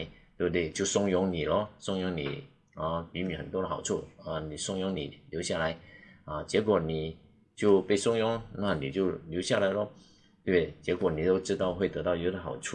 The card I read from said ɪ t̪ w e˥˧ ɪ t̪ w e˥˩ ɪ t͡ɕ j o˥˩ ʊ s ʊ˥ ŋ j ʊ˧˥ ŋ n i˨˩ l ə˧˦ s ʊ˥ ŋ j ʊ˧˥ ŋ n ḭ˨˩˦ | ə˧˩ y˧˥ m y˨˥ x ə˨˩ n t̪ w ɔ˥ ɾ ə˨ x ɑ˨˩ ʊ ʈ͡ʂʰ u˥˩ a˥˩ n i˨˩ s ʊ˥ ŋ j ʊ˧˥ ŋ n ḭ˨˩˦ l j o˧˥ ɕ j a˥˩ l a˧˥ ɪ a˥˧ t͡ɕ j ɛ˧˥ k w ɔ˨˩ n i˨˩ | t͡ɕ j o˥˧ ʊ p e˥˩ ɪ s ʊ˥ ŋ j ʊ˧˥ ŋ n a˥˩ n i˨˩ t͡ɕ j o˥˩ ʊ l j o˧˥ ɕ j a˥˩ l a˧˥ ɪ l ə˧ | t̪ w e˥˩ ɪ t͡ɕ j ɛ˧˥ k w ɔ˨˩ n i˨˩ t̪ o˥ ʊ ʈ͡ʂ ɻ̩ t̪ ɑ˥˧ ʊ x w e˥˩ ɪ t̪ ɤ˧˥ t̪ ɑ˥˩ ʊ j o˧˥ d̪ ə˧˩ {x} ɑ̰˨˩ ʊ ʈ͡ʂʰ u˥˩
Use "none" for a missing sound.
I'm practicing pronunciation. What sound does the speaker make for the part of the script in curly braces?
x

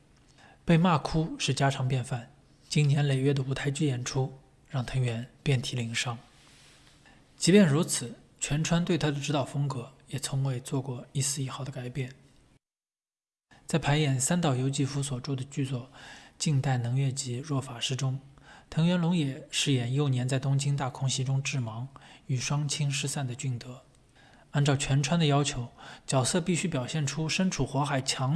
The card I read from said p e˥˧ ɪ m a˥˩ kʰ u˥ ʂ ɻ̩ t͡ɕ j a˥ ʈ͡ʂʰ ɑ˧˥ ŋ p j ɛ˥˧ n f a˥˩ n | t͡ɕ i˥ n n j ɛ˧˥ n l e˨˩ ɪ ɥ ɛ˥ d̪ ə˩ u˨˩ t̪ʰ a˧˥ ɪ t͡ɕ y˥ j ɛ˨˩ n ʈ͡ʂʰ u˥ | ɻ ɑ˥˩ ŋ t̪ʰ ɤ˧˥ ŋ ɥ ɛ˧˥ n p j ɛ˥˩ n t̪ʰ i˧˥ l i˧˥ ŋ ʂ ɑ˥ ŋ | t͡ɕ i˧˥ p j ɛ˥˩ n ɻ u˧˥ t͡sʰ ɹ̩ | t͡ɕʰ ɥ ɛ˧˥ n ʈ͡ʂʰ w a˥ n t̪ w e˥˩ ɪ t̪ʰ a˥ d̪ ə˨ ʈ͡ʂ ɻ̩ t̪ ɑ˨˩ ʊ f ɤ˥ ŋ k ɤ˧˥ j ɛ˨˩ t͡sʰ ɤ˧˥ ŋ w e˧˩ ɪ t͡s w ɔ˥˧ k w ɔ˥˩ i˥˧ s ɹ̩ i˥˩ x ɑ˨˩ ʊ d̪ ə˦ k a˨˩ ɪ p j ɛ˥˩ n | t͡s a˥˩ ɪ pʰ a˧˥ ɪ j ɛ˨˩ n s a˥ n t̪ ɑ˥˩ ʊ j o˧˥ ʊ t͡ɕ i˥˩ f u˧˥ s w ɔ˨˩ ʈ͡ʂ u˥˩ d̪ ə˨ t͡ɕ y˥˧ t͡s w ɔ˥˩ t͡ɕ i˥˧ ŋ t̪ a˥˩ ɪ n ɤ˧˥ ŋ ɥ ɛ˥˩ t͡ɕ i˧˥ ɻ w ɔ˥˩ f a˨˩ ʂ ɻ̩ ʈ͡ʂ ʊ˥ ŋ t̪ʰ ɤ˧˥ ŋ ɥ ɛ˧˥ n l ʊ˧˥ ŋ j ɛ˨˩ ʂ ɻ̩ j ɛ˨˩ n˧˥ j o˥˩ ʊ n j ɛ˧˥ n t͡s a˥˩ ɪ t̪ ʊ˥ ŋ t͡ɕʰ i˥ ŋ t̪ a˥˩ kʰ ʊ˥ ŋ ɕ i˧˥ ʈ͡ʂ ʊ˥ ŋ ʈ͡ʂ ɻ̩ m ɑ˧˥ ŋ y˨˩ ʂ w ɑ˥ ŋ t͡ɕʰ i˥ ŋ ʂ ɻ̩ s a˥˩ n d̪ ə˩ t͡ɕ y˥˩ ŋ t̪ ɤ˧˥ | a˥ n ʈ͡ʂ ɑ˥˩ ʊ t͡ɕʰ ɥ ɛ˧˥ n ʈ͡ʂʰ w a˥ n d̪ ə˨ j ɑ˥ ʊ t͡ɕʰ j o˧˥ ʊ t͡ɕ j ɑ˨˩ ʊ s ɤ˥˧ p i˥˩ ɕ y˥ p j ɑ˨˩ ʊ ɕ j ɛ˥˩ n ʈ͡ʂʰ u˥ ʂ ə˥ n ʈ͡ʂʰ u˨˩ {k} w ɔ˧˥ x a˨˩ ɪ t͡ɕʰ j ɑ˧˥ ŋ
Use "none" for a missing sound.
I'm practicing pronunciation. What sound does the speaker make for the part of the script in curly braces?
x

